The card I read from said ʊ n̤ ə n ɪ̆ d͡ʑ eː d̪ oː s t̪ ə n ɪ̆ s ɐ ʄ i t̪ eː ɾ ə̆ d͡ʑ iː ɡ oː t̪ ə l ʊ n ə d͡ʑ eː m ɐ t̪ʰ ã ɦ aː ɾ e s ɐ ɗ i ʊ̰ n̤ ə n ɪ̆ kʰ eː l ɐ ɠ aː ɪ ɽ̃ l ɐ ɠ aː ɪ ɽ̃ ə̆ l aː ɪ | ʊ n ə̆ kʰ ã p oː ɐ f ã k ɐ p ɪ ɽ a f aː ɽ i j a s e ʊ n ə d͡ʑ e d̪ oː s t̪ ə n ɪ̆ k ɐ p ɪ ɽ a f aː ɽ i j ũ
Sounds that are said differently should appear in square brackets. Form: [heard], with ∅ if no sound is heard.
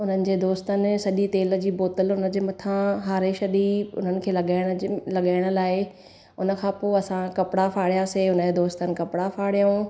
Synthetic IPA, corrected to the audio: ʊ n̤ ə n ɪ̆ d͡ʑ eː d̪ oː s t̪ ə n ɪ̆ s ɐ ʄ i t̪ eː [l] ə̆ d͡ʑ iː [b] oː t̪ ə l ʊ n ə d͡ʑ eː m ɐ t̪ʰ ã ɦ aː ɾ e [ʃ] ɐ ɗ i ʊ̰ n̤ ə n ɪ̆ kʰ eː l ɐ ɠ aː ɪ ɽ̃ l ɐ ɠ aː ɪ ɽ̃ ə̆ l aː ɪ | ʊ n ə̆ kʰ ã p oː ɐ [s] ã k ɐ p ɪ ɽ a f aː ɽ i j a s e ʊ n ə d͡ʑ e d̪ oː s t̪ ə n ɪ̆ k ɐ p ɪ ɽ a f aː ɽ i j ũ